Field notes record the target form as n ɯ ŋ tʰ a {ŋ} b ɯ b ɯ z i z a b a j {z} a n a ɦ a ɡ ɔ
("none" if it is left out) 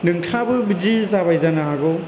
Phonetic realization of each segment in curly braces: none, z

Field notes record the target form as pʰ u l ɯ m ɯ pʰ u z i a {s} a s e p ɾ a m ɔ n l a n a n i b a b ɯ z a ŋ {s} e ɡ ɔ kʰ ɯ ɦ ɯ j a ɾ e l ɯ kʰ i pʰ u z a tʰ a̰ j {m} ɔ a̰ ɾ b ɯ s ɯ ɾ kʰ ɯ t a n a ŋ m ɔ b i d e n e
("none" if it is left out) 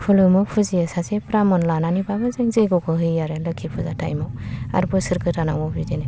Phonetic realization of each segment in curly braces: s, z, m

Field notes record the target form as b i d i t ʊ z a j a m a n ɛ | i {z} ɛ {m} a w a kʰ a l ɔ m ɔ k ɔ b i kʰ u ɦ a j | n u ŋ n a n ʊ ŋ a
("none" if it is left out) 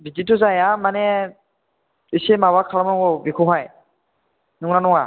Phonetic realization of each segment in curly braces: s, m

